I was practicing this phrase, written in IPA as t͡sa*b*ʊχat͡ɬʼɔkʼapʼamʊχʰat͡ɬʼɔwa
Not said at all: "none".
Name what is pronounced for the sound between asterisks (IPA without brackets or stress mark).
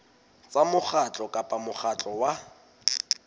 m